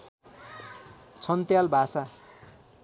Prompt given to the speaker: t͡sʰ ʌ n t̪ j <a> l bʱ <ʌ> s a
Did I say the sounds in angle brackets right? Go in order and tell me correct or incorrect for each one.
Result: correct, incorrect: a

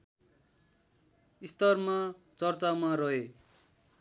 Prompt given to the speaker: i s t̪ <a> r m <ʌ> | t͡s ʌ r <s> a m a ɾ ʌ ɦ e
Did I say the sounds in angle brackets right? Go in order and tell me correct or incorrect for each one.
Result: incorrect: ʌ, incorrect: a, incorrect: t͡s

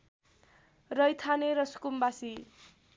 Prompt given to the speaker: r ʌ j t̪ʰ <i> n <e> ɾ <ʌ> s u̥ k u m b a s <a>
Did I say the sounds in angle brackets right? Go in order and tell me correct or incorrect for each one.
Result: incorrect: a, correct, correct, incorrect: i

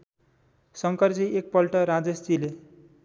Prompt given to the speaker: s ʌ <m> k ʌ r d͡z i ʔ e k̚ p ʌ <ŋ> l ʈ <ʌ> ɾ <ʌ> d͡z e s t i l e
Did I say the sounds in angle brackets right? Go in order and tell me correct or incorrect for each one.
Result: incorrect: ŋ, incorrect: none, correct, incorrect: a

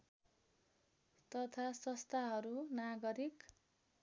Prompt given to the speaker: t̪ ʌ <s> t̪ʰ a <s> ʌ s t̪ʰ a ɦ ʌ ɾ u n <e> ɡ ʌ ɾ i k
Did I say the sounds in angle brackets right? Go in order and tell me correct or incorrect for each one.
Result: incorrect: none, correct, incorrect: a

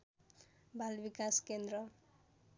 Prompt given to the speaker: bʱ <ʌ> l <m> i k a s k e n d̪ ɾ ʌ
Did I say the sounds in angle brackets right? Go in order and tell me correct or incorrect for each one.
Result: incorrect: a, incorrect: b

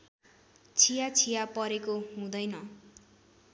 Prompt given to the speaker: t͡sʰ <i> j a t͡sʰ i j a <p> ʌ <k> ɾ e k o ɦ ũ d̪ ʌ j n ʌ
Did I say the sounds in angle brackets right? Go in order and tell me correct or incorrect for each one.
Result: correct, correct, incorrect: none

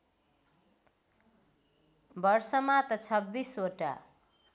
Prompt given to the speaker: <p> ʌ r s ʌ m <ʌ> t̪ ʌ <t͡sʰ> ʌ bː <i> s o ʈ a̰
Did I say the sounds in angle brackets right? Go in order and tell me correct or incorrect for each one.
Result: incorrect: b, incorrect: a, correct, correct

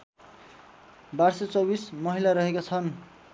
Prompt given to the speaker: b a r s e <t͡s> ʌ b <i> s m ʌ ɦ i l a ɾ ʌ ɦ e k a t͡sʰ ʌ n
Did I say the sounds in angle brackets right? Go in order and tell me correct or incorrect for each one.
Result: correct, correct

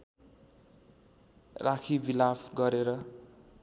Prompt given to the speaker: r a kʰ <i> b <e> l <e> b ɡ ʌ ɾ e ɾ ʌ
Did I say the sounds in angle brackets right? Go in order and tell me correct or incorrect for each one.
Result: correct, incorrect: i, incorrect: a

